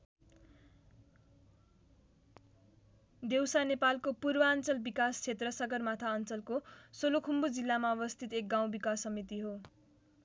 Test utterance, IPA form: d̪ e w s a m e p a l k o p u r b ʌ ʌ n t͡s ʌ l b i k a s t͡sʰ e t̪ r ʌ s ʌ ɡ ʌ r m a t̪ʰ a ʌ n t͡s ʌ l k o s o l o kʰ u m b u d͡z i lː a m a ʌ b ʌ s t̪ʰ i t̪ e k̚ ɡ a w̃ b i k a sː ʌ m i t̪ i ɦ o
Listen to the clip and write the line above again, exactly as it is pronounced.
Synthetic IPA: d̪ e w s a n e p a l k o p u r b ʌ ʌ n t͡s ʌ l b i k a s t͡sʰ e t̪ r ʌ s ʌ ɡ ʌ r m a t̪ʰ a ʌ n t͡s ʌ l k o s o l o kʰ u m b u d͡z i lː a m a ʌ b ʌ s t̪ʰ i t̪ e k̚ ɡ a w̃ b i k a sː ʌ m i t̪ i ɦ o